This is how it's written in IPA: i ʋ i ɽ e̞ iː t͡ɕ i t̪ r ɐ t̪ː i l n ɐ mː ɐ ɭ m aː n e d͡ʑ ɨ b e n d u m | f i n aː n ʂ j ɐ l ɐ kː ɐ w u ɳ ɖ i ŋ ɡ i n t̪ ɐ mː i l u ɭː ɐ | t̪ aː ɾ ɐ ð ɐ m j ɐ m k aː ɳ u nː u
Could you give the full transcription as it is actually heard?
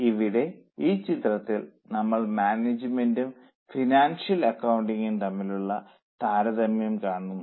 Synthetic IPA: i ʋ i ɽ e̞ iː t͡ɕ i t̪ r ɐ t̪ː i l n ɐ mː ɐ ɭ m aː n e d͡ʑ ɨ m e n d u m | f i n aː n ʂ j ɐ l ɐ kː ɐ w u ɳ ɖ i ŋ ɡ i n t̪ ɐ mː i l u ɭː ɐ | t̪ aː ɾ ɐ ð ɐ m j ɐ m k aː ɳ u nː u